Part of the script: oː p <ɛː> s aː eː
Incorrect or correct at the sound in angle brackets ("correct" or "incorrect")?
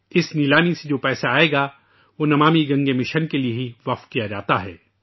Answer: correct